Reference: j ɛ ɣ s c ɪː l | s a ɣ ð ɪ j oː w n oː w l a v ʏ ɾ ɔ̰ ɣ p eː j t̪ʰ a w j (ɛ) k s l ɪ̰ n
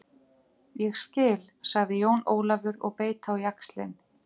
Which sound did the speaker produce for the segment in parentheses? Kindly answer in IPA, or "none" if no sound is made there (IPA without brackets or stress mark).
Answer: a